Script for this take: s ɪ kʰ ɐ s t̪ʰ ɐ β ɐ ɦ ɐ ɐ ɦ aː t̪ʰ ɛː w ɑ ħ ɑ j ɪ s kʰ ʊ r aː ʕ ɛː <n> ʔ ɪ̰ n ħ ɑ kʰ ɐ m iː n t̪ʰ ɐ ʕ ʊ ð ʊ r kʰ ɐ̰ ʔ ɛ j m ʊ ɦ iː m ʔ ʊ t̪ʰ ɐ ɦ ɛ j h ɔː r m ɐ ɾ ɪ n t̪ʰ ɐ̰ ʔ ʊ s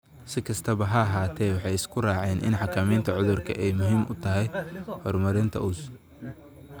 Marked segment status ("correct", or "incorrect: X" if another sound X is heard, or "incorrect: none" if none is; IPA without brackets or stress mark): correct